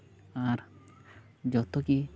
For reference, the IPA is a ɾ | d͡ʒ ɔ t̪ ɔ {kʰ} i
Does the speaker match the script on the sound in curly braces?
no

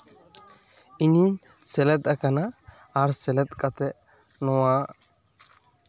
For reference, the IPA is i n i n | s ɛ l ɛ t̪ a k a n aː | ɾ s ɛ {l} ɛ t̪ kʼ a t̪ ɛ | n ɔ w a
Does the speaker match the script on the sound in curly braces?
yes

